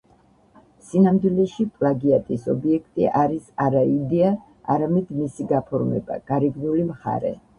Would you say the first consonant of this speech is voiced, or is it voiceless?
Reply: voiceless